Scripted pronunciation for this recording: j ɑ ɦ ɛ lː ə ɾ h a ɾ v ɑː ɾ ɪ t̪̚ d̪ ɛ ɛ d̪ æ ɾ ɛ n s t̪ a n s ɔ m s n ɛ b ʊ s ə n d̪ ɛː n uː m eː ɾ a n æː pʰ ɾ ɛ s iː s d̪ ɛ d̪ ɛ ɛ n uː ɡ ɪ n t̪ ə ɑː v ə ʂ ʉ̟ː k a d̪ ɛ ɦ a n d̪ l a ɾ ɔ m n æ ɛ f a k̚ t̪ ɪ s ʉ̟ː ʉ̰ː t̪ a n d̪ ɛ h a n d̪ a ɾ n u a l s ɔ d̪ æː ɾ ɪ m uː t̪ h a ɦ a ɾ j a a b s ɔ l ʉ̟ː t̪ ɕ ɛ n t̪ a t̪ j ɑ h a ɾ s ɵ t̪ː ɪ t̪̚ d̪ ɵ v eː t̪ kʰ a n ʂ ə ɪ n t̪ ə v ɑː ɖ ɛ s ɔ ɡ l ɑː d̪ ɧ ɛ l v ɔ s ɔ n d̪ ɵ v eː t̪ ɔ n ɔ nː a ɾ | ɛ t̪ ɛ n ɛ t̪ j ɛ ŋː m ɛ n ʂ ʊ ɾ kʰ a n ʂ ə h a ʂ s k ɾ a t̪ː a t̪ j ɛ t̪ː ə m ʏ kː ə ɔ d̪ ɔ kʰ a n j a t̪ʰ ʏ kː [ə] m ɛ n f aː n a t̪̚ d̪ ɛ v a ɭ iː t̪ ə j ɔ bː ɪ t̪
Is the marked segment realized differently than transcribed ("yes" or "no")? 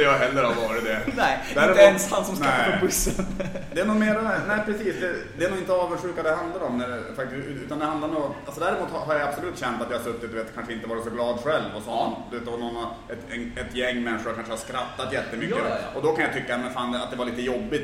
yes